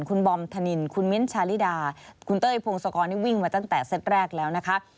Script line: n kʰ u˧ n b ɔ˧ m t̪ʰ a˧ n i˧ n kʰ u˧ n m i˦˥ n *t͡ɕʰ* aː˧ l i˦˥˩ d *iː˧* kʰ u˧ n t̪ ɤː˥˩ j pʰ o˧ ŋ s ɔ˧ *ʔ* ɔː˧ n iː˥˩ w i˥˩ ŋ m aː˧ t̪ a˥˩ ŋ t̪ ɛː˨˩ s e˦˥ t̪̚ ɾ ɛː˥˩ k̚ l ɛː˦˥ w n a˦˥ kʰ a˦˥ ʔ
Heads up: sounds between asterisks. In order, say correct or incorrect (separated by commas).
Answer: correct, incorrect, incorrect